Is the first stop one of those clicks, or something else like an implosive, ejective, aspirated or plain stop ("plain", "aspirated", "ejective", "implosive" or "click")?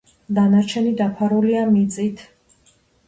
plain